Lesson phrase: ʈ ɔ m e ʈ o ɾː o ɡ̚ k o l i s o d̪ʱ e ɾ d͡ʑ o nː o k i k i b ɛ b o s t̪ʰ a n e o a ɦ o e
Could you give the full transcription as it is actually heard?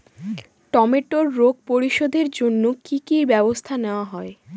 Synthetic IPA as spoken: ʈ ɔ m e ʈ o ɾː o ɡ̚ p o ɾ i ʃ o d̪ʱ e ɾ d͡ʑ o nː o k i k i b ɛ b o s t̪ʰ a n e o a ɦ ɔ e